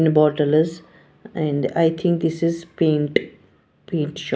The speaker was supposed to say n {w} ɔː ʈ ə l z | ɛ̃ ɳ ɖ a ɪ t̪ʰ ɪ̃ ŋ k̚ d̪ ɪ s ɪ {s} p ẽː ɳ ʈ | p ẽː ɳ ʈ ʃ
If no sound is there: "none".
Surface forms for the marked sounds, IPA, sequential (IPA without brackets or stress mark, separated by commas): b, z